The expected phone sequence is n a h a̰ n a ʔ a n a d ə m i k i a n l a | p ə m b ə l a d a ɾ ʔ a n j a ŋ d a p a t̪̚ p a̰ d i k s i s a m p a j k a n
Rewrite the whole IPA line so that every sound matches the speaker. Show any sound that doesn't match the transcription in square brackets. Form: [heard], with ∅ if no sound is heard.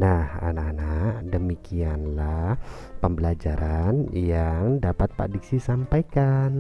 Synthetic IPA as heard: n a h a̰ n a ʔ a n a d ə m i k i a n l a | p ə m b ə l a [d͡ʒ] a ɾ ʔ a n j a ŋ d a p a t̪̚ p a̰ d i k s i s a m p a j k a n